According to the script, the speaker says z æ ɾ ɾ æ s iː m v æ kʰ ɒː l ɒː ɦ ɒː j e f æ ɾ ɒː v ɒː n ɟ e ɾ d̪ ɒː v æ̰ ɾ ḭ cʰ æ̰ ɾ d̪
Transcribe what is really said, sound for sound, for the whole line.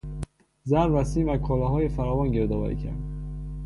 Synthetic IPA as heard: z æ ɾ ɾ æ s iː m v æ kʰ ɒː l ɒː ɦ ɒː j e f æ ɾ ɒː v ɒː n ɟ e ɾ d̪ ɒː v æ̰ ɾ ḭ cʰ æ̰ ɾ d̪